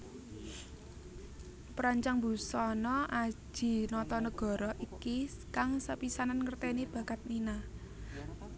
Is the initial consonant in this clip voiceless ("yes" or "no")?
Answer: yes